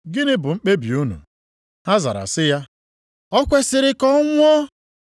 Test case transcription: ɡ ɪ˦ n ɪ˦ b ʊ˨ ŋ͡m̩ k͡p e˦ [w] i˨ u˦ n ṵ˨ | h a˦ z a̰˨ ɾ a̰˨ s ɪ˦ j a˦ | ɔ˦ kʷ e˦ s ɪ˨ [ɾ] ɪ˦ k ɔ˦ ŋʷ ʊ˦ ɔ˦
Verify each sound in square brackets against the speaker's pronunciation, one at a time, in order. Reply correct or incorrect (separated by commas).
incorrect, correct